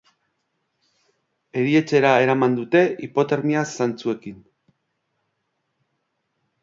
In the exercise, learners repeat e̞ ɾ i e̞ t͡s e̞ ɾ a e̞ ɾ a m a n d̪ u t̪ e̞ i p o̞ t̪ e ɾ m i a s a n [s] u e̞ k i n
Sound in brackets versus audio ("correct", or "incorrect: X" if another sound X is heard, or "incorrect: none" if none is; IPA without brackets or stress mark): incorrect: t͡s